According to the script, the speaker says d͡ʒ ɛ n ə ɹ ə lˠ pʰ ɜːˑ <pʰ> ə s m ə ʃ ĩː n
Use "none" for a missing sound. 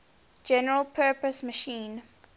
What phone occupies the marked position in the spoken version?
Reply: p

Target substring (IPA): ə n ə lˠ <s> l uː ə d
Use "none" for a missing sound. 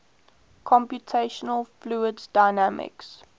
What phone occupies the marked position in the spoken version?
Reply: f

